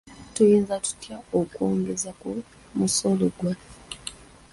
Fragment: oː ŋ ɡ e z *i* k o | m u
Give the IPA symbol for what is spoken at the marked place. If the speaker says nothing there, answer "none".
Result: a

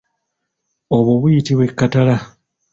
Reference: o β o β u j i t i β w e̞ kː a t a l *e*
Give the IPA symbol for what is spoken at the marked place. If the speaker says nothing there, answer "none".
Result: a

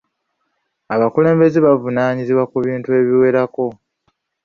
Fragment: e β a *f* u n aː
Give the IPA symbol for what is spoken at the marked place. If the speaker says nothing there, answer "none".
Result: v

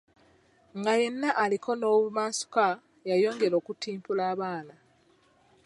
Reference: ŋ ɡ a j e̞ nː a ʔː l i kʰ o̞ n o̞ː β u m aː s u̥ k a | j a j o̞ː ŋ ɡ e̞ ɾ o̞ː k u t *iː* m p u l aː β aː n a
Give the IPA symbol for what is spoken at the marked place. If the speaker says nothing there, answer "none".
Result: iː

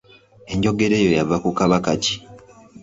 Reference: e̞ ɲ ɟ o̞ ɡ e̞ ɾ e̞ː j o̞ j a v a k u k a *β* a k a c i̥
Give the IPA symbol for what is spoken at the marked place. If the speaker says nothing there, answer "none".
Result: β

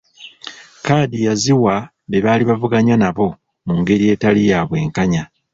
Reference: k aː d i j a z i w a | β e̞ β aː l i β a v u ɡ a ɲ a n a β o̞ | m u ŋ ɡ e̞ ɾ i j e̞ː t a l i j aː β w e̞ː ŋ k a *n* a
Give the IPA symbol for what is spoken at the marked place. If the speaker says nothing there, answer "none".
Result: ɲ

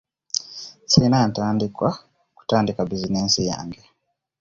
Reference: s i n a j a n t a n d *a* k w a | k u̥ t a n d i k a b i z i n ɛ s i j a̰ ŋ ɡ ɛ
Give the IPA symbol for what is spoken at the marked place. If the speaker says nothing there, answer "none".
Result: i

